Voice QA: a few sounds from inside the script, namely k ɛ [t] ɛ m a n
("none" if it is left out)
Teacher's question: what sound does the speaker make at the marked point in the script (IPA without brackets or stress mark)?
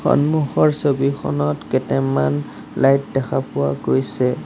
t